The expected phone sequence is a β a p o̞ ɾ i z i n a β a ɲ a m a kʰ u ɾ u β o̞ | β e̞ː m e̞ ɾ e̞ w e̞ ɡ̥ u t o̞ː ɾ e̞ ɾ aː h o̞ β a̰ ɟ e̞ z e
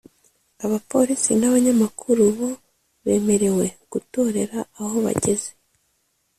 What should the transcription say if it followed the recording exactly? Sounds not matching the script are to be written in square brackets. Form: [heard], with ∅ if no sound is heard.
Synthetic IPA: a β a p o̞ ɾ i [s] i n a β a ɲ a m a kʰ u ɾ u β o̞ | β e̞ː m e̞ ɾ e̞ w e̞ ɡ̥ u t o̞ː ɾ e̞ ɾ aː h o̞ β a̰ ɟ e̞ z e